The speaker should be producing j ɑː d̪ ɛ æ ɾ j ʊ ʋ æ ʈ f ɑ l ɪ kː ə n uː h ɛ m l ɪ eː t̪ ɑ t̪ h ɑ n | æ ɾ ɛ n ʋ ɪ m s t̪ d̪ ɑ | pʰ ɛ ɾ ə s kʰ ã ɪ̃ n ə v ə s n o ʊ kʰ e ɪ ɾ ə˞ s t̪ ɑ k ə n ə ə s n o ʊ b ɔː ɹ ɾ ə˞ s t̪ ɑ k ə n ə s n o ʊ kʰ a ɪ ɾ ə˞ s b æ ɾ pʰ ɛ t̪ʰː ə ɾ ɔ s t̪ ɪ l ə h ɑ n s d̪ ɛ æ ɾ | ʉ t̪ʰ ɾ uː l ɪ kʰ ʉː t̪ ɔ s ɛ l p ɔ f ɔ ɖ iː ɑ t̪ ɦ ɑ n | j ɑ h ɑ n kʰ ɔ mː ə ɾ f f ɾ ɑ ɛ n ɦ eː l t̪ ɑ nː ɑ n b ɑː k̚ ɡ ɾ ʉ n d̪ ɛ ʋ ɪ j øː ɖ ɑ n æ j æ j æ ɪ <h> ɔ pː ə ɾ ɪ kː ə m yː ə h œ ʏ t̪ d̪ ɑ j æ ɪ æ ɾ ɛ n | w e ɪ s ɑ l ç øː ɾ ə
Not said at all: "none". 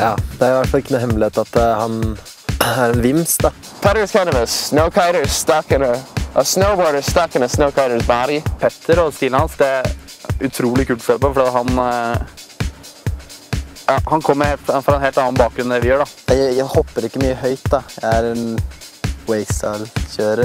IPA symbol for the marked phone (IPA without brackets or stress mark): h